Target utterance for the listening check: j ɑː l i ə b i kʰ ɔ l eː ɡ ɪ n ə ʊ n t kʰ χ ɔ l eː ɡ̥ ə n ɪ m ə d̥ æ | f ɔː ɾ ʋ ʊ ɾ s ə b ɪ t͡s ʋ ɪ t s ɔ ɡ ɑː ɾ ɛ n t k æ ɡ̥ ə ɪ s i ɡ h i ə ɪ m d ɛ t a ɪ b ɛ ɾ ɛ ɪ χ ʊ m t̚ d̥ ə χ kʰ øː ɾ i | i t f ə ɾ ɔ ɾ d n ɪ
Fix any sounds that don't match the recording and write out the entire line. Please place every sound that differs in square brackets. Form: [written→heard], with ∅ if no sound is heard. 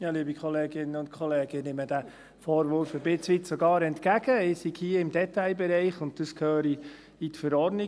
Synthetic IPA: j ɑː l i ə b i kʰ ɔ l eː ɡ ɪ n ə ʊ n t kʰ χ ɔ l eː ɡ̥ ə n ɪ m ə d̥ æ | f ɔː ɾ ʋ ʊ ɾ [s→f] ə b ɪ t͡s ʋ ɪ t s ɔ ɡ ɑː ɾ ɛ n t k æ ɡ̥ ə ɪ s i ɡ h i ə ɪ m d ɛ t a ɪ b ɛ ɾ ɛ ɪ χ ʊ [m→n] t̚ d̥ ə [χ→s] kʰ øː ɾ i | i t f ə ɾ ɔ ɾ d n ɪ